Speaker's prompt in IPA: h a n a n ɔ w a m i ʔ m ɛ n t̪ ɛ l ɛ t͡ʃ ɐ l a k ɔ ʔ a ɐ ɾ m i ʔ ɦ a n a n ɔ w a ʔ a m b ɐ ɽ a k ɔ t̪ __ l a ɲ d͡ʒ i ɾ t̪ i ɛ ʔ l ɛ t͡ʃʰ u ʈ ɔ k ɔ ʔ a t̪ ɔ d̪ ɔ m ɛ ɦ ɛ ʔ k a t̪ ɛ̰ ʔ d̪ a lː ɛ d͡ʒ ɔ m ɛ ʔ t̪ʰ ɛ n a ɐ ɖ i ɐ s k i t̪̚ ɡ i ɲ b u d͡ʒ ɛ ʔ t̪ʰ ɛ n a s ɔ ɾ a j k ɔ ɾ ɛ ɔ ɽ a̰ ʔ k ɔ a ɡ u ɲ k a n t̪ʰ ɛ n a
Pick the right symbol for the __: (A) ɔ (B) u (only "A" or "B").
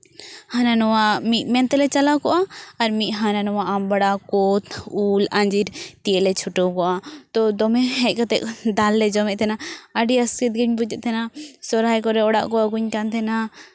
B